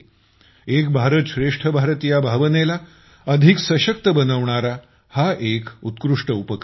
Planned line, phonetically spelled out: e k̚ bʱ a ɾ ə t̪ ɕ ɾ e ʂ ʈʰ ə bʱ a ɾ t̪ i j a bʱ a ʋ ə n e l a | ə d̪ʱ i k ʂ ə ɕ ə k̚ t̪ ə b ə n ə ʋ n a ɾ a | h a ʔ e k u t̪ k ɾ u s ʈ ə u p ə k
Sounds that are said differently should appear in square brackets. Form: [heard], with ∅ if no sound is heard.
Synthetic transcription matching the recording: e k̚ bʱ a ɾ ə t̪ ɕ ɾ e ʂ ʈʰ ə bʱ a ɾ t̪ i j a bʱ a ʋ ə n e l a | ə d̪ʱ i k [s] ə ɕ ə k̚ t̪ ə b ə n ə ʋ [ɳ] a ɾ a | h a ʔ e k u t̪ k ɾ u [ʂ] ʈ ə u p ə k